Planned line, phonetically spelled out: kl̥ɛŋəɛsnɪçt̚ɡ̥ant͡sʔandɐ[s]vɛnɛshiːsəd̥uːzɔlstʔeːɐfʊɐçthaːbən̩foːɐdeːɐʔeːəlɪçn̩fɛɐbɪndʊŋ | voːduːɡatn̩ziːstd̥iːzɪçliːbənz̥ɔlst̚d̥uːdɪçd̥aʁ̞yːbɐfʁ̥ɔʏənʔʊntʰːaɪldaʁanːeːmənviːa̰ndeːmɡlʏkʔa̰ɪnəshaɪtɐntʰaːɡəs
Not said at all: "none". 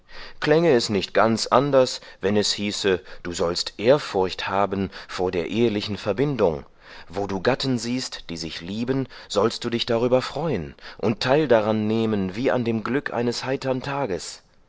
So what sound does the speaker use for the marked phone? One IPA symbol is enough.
s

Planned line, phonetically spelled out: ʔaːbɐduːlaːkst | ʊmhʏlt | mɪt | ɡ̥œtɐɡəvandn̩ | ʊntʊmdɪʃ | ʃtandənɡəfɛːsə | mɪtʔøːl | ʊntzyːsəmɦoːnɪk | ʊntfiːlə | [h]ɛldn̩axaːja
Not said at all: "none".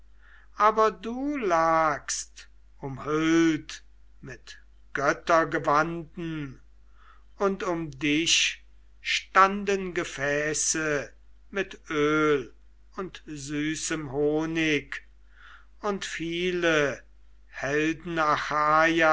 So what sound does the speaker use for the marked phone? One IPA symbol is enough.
h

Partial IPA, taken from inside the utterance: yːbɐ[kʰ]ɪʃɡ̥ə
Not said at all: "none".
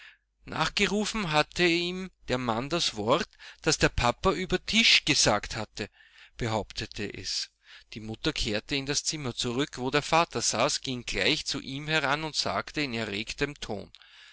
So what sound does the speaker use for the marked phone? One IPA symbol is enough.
tʰ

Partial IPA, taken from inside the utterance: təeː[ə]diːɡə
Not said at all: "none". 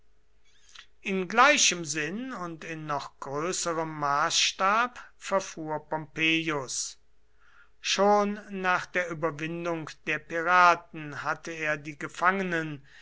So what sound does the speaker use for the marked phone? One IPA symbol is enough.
ɐ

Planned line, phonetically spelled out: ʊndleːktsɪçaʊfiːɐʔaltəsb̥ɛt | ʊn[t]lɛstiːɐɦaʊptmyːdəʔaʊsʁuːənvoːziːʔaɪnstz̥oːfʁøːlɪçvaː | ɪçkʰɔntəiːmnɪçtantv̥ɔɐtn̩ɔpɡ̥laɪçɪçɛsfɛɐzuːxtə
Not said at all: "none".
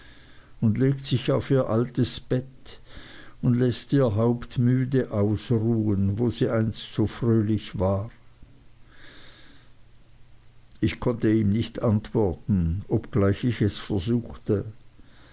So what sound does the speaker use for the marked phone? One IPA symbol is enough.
d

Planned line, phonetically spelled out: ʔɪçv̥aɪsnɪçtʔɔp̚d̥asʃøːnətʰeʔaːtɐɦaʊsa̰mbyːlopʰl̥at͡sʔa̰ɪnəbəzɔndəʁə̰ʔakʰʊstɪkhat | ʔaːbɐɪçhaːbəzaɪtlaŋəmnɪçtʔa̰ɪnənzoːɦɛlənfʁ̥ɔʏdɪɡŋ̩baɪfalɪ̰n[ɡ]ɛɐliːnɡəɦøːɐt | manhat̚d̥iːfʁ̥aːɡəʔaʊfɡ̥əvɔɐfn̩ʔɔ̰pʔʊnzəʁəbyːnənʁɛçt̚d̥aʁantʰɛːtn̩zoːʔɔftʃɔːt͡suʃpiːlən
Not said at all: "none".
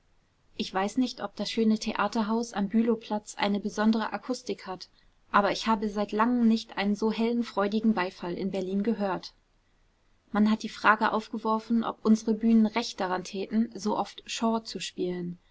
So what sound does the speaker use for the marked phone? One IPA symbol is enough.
b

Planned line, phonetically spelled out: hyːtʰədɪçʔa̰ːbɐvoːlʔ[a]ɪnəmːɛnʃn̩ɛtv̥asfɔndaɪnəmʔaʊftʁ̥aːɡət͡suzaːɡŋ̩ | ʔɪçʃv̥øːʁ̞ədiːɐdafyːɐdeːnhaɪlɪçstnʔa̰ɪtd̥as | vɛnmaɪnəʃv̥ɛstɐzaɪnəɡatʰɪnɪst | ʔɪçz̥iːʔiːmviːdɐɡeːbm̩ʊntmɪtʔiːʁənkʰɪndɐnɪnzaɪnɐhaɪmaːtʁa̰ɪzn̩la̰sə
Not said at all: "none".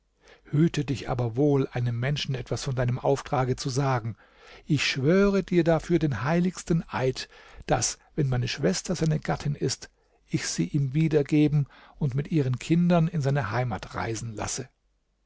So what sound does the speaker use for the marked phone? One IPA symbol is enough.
a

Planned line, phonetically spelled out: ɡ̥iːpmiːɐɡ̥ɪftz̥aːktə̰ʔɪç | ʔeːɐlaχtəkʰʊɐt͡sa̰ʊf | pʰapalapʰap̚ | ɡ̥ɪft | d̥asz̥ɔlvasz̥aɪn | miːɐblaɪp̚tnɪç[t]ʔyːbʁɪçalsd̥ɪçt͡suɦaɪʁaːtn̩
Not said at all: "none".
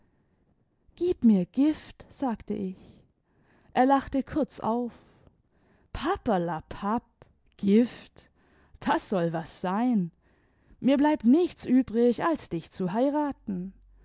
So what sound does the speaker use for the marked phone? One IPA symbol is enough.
t͡s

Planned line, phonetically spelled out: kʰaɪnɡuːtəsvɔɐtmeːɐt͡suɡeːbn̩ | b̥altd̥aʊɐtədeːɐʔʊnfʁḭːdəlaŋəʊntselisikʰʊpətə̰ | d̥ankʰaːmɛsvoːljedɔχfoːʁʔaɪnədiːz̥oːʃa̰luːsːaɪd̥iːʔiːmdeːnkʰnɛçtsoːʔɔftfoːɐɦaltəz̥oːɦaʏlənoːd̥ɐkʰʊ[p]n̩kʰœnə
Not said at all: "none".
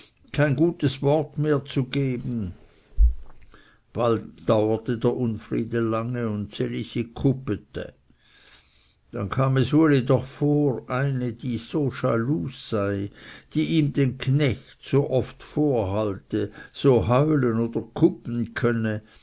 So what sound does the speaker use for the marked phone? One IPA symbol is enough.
p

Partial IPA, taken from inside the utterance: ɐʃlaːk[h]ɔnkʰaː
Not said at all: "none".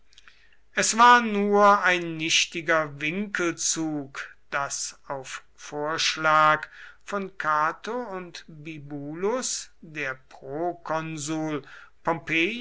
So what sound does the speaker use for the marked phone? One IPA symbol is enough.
f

